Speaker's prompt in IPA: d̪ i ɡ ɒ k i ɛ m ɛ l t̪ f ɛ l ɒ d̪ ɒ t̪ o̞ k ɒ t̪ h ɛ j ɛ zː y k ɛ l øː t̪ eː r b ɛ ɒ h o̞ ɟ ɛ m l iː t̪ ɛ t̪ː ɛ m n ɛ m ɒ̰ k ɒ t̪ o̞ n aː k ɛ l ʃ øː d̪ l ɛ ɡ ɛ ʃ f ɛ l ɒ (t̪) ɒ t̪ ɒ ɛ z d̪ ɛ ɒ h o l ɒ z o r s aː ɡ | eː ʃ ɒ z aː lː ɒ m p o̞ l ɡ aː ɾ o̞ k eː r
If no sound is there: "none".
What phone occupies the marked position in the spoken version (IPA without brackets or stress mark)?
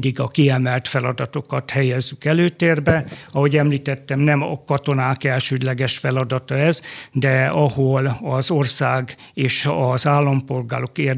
d̪